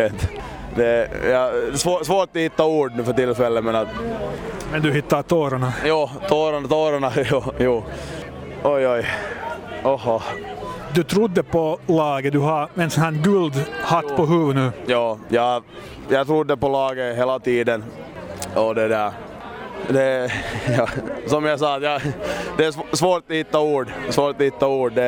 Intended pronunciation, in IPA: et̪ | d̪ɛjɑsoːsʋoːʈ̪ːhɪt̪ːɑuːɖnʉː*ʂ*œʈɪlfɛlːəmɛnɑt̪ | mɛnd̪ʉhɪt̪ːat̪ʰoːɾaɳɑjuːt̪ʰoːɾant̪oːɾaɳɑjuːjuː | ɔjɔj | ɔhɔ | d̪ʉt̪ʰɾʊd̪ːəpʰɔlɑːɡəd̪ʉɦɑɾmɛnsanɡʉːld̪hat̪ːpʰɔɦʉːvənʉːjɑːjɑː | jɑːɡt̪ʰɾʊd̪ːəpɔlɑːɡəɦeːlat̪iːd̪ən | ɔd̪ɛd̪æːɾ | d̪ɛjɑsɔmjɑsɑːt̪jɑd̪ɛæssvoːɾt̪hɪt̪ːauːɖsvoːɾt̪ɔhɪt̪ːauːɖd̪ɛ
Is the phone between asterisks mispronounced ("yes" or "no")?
yes